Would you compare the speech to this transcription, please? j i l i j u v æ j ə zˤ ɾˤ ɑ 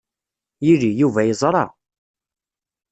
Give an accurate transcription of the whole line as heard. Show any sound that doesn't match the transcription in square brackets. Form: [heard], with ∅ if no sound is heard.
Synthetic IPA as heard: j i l i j u v æ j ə zˤ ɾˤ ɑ